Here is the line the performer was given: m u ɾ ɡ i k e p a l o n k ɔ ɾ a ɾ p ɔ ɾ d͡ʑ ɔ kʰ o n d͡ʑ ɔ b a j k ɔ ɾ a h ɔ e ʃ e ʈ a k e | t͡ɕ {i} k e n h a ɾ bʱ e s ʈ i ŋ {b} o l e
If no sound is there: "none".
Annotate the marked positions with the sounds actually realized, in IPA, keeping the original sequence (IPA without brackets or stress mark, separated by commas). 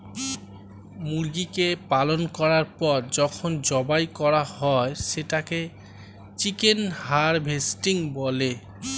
i, b